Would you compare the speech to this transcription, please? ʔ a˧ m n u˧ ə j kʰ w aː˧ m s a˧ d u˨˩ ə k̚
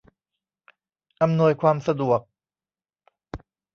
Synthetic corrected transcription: ʔ a˧ m n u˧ ə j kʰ w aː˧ m s a˧ d u˨˩ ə k̚